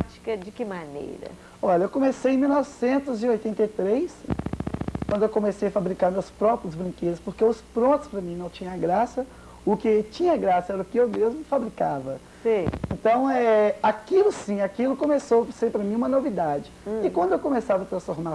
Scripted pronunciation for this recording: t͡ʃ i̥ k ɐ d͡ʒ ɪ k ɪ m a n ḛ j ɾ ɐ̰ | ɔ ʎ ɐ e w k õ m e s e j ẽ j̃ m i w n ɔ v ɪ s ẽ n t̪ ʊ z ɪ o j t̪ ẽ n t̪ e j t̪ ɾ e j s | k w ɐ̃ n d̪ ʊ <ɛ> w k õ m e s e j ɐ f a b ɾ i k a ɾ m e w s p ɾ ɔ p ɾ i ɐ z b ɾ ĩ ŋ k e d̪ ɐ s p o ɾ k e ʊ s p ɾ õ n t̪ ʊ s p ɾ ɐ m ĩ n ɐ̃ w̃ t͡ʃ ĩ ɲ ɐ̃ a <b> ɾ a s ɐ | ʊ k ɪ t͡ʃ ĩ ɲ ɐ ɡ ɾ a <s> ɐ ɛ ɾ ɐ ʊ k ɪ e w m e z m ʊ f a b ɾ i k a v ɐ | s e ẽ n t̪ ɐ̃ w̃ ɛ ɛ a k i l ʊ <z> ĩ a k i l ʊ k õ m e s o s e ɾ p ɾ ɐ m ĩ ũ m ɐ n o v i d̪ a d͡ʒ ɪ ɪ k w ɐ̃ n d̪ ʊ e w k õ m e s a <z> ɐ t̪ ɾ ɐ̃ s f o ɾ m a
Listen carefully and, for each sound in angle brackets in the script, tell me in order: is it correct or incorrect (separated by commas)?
incorrect, incorrect, correct, incorrect, incorrect